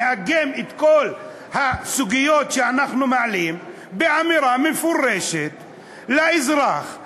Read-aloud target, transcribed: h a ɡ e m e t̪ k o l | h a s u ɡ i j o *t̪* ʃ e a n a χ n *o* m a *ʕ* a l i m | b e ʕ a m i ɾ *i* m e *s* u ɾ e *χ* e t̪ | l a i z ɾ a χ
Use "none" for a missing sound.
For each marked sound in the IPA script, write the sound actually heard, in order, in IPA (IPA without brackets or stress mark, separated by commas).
t̪, u, ʕ, a, f, ʃ